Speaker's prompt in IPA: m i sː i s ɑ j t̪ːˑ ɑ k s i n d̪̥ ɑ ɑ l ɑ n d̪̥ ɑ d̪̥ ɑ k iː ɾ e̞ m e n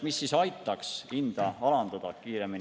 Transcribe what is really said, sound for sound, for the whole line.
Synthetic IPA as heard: m i sː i s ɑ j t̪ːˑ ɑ k s i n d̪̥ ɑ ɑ l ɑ n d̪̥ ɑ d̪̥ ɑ k iː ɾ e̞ m i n